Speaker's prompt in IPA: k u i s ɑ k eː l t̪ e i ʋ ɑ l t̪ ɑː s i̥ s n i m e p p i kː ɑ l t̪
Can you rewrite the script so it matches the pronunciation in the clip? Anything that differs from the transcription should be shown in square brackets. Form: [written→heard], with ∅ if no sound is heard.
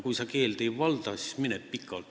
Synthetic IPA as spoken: k u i s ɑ k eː l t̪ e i ʋ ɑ l t̪ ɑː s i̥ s [n→m] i [m→n] e p p i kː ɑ l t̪